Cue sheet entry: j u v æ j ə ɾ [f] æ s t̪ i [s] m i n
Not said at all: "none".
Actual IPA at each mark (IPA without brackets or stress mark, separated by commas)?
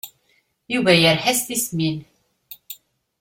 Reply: ħ, s